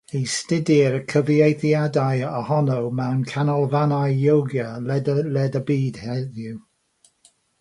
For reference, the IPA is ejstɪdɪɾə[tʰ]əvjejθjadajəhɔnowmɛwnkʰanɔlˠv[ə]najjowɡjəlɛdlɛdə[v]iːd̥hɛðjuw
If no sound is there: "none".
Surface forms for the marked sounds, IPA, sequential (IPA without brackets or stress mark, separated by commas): kʰ, a, b